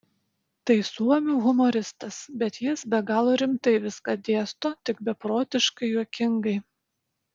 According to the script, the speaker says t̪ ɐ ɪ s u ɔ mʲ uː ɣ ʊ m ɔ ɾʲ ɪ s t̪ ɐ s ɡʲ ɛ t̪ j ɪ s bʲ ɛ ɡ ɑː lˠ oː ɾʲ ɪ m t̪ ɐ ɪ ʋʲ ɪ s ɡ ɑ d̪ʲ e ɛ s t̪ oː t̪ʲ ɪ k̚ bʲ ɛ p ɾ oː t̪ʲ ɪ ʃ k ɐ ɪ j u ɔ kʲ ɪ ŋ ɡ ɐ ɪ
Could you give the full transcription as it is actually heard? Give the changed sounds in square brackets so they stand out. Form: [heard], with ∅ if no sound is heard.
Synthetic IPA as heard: t̪ ɐ ɪ s u ɔ mʲ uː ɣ ʊ m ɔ ɾʲ ɪ s t̪ ɐ s [bʲ] ɛ t̪ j ɪ s bʲ ɛ ɡ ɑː lˠ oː ɾʲ ɪ m t̪ ɐ ɪ ʋʲ ɪ s [k] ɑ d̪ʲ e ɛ s t̪ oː t̪ʲ ɪ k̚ bʲ ɛ p ɾ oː t̪ʲ ɪ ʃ k ɐ ɪ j u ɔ kʲ ɪ ŋ ɡ ɐ ɪ